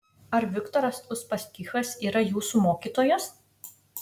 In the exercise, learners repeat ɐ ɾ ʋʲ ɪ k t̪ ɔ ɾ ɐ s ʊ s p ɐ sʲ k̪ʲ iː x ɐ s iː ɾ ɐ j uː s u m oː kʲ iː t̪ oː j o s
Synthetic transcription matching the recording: ɐ ɾ ʋʲ ɪ k t̪ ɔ ɾ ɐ s ʊ s p ɐ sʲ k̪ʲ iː x ɐ s iː ɾ ɐ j uː s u m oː kʲ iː t̪ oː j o s

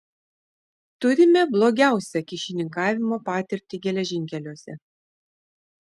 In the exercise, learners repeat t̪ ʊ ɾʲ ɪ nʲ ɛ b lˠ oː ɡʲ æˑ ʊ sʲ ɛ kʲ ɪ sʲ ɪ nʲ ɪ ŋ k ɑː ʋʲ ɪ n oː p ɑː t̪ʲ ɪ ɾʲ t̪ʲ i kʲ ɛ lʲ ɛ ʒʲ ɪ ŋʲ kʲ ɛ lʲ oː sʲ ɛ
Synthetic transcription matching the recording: t̪ ʊ ɾʲ ɪ mʲ ɛ b lˠ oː ɡʲ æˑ ʊ sʲ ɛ kʲ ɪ ʃʲ ɪ nʲ ɪ ŋ k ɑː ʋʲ ɪ m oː p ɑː t̪ʲ ɪ ɾʲ t̪ʲ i ɡʲ ɛ lʲ ɛ ʒʲ ɪ ŋʲ kʲ ɛ lʲ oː sʲ ɛ

